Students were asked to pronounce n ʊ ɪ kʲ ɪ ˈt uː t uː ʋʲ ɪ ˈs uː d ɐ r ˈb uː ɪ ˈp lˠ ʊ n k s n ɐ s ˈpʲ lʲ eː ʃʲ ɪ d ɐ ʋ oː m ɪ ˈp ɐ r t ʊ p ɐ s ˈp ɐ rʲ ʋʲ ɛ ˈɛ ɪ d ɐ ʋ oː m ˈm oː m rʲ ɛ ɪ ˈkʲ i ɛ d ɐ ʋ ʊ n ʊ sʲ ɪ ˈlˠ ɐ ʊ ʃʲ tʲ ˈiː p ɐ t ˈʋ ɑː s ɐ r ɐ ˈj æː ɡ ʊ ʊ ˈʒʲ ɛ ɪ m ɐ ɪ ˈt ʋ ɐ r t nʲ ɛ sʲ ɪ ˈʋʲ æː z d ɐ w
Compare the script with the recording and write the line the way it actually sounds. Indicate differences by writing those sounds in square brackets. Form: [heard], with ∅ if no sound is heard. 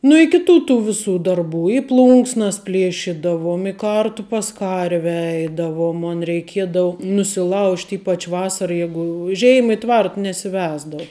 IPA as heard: n ʊ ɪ kʲ ɪ ˈt uː t uː ʋʲ ɪ ˈs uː d ɐ r ˈb uː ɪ ˈp lˠ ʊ [ŋ] k s n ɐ s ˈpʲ lʲ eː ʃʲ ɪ d ɐ ʋ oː m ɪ [ˈk] ɐ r t ʊ p ɐ s [ˈk] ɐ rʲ ʋʲ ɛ ˈɛ ɪ d ɐ ʋ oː m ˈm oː [n] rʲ ɛ ɪ ˈkʲ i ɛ d ɐ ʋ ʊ n ʊ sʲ ɪ ˈlˠ ɐ ʊ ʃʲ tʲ ˈiː p ɐ [t͡ʃ] ˈʋ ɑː s ɐ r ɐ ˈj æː ɡ ʊ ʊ ˈʒʲ ɛ ɪ m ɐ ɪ ˈt ʋ ɐ r t nʲ ɛ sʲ ɪ ˈʋʲ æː z d ɐ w

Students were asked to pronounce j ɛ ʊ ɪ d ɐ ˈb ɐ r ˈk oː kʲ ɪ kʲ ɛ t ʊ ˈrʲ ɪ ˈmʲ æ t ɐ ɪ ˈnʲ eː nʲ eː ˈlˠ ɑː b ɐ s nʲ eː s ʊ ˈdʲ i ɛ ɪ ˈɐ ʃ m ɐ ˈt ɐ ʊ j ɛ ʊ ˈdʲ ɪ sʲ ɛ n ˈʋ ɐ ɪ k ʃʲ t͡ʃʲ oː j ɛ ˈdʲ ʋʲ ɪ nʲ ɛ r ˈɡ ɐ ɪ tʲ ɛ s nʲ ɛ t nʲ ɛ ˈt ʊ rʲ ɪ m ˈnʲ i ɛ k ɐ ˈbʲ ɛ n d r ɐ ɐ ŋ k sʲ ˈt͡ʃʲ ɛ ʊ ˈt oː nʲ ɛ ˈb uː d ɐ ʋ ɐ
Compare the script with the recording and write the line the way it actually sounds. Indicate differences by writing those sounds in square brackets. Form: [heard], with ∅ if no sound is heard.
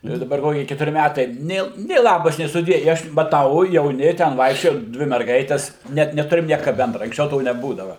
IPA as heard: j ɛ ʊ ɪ d ɐ ˈb ɐ r ˈk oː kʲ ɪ kʲ ɛ t ʊ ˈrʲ ɪ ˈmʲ æ t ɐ ɪ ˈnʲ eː nʲ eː ˈlˠ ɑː b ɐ s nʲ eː s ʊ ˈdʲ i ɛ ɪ ˈɐ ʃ m ɐ ˈt ɐ ʊ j ɛ ʊ [ˈnʲ] ɪ [tʲ] ɛ n ˈʋ ɐ ɪ k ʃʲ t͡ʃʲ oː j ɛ ˈdʲ ʋʲ ɪ [mʲ] ɛ r ˈɡ ɐ ɪ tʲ ɛ s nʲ ɛ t nʲ ɛ ˈt ʊ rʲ ɪ m ˈnʲ i ɛ k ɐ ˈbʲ ɛ n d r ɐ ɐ ŋ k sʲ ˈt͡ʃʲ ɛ ʊ ˈt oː nʲ ɛ ˈb uː d ɐ ʋ ɐ

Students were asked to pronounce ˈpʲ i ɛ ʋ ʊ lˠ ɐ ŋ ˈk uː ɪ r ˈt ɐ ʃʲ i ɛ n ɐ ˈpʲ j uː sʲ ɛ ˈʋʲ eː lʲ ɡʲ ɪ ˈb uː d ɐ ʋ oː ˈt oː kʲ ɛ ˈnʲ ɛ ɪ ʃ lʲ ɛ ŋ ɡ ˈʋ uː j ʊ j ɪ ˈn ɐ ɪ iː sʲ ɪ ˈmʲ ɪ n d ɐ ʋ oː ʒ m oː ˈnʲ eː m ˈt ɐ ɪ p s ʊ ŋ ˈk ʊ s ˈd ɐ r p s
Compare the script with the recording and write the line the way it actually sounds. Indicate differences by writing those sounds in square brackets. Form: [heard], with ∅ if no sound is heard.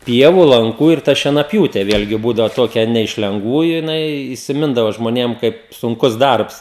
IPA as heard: ˈpʲ i ɛ ʋ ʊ lˠ ɐ ŋ ˈk uː ɪ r ˈt ɐ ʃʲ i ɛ n ɐ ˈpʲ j uː [tʲ] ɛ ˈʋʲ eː lʲ ɡʲ ɪ ˈb uː d ɐ ʋ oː ˈt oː kʲ ɛ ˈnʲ ɛ ɪ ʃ lʲ ɛ ŋ ɡ ˈʋ uː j ʊ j ɪ ˈn ɐ ɪ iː sʲ ɪ ˈmʲ ɪ n d ɐ ʋ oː ʒ m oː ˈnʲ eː m [ˈk] ɐ ɪ p s ʊ ŋ ˈk ʊ s ˈd ɐ r p s

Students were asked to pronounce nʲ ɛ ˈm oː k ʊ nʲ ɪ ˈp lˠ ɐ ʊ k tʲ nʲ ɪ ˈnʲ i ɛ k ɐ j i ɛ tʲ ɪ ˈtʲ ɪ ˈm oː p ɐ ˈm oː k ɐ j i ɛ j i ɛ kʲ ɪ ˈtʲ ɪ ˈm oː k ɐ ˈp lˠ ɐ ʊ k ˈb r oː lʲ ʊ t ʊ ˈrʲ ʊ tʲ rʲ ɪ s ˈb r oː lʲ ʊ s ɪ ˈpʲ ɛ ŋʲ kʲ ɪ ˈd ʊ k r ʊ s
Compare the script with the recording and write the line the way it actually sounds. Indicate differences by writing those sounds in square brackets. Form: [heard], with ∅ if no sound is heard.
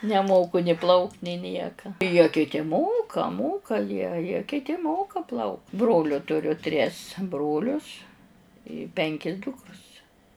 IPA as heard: nʲ ɛ ˈm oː k ʊ nʲ ɪ ˈp lˠ ɐ ʊ k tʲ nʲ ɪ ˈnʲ i ɛ k ɐ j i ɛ [kʲ] ɪ ˈtʲ ɪ ˈm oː [k] ɐ ˈm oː k ɐ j i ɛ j i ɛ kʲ ɪ ˈtʲ ɪ ˈm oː k ɐ ˈp lˠ ɐ ʊ k ˈb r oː lʲ ʊ t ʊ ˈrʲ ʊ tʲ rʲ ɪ s ˈb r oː lʲ ʊ s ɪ ˈpʲ ɛ ŋʲ kʲ ɪ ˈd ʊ k r ʊ s

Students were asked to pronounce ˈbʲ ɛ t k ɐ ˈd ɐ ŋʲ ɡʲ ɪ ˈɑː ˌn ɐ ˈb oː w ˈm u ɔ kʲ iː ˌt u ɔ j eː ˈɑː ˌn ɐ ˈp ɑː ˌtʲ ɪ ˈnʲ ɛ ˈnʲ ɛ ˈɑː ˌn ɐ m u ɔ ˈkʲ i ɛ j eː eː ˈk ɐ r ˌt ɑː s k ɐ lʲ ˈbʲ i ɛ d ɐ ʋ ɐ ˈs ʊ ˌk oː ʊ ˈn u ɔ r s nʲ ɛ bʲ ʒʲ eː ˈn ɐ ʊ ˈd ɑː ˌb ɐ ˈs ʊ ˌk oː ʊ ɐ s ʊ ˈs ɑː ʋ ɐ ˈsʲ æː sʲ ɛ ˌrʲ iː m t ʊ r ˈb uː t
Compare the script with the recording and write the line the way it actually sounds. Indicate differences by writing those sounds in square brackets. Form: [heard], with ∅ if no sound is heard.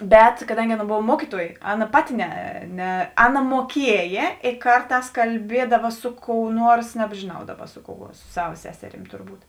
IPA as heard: ˈbʲ ɛ t k ɐ ˈd ɐ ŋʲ ɡʲ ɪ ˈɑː ˌn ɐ ˈb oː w ˈm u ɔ kʲ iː ˌt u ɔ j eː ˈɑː ˌn ɐ ˈp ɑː ˌtʲ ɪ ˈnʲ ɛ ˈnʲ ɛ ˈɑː ˌn ɐ m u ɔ ˈkʲ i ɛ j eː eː ˈk ɐ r ˌt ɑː s k ɐ lʲ ˈbʲ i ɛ d ɐ ʋ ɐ ˈs ʊ ˌk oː ʊ ˈn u ɔ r s nʲ ɛ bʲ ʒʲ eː ˈn ɐ ʊ ˈd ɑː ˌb ɐ ˈs ʊ ˌk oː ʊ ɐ s ʊ ˈs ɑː ʋ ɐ ˈsʲ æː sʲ ɛ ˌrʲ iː m t ʊ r ˈb uː t

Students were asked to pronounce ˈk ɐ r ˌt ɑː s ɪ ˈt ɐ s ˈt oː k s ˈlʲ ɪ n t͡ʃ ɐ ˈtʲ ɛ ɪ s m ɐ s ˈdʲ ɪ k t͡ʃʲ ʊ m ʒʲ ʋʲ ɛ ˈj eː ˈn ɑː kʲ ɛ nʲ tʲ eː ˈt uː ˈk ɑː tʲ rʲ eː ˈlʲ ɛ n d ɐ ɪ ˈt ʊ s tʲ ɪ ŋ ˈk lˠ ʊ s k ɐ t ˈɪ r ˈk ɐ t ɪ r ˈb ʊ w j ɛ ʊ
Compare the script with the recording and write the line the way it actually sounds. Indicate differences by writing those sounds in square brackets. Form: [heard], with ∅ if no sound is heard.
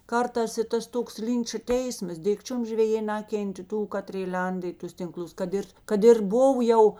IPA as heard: ˈk ɐ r ˌt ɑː s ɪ ˈt ɐ s ˈt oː k s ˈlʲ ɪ n t͡ʃ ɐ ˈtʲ ɛ ɪ s m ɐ s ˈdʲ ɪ k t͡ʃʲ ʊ m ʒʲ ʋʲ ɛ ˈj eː ˈn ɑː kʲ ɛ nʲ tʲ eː ˈt uː ˈk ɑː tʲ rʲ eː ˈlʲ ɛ n d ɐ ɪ ˈt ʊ s tʲ ɪ ŋ ˈk lˠ ʊ s k ɐ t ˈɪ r ˈk ɐ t ɪ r ˈb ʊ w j ɛ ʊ

